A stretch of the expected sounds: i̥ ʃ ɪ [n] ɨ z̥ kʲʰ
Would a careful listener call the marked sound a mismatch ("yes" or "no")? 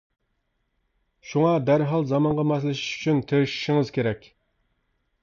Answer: yes